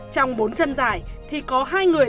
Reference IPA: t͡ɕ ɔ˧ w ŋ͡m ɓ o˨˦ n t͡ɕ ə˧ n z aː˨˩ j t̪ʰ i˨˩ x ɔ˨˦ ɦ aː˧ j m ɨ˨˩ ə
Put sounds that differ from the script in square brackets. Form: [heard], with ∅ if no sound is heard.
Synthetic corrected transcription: t͡ɕ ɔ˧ w ŋ͡m ɓ o˨˦ n t͡ɕ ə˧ n z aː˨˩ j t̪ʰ i˨˩ [k] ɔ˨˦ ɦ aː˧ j [ŋ] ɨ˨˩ ə